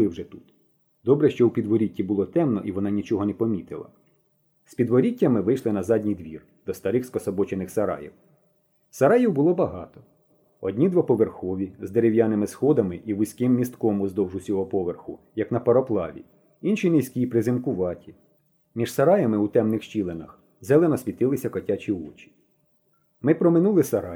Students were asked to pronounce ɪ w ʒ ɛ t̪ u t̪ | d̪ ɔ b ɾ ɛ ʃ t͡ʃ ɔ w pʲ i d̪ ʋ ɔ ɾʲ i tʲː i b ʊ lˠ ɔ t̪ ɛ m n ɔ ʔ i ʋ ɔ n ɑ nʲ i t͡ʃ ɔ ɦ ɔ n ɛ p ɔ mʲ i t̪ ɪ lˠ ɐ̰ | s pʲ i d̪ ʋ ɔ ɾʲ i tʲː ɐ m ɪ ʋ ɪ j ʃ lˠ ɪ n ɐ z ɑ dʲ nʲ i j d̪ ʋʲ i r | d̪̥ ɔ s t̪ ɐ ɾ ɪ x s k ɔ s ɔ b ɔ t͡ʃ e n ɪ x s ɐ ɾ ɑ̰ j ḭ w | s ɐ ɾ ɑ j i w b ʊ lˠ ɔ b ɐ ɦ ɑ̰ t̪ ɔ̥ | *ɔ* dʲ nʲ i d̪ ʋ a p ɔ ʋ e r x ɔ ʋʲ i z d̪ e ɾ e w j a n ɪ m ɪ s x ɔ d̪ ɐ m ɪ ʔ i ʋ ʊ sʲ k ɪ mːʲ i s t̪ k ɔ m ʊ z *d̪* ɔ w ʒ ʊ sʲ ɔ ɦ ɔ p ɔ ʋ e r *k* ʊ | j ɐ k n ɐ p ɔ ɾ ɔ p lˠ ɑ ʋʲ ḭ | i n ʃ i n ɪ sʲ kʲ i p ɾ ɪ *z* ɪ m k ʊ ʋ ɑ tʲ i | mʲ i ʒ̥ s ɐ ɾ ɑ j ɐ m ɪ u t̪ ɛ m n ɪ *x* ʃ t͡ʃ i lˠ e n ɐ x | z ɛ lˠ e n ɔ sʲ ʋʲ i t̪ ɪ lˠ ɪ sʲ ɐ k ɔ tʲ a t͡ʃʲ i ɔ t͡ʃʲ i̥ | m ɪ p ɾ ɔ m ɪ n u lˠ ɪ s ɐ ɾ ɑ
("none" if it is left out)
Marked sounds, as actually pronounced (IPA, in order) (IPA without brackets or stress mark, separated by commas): ɔ, d̪, x, z, x